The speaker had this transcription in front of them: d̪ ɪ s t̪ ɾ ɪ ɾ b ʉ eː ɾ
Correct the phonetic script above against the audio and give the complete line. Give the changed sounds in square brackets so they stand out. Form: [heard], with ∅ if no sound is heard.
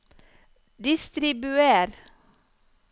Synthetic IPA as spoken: d̪ ɪ s t̪ ɾ ɪ [∅] b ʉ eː ɾ